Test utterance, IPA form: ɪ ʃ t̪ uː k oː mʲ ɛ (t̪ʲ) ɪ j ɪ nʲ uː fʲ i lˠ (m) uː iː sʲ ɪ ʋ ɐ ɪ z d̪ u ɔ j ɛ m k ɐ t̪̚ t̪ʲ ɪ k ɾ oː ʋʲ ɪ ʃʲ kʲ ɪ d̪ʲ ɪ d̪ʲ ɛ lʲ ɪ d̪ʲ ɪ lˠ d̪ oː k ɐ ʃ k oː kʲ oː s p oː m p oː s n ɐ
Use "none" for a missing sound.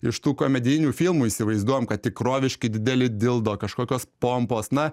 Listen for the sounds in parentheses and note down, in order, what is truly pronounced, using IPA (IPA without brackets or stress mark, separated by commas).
d̪ʲ, m